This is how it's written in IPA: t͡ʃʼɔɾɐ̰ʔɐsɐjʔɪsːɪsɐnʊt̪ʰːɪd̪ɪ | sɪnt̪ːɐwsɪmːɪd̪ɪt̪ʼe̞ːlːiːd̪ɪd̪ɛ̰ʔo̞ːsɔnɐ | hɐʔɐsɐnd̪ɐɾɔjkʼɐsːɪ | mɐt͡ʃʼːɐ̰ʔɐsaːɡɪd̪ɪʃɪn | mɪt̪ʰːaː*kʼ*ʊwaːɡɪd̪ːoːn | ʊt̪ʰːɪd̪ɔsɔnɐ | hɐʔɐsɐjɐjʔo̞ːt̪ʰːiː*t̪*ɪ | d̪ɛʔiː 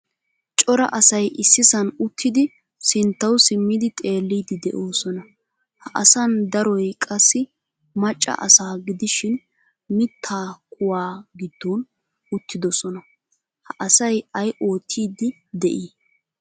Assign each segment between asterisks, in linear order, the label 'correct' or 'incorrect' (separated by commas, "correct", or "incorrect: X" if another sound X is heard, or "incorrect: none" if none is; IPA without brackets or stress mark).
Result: correct, incorrect: d̪